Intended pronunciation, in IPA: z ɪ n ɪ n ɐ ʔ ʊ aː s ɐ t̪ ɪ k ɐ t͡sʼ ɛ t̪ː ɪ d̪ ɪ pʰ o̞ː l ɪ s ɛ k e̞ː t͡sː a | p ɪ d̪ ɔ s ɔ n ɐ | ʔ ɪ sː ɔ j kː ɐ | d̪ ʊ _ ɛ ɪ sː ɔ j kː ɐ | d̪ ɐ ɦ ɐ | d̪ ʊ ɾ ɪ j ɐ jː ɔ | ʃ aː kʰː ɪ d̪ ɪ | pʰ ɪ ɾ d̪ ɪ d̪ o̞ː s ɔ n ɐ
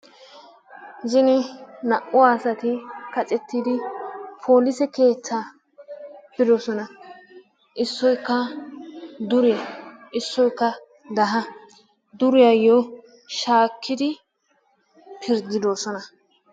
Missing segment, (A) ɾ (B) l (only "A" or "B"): A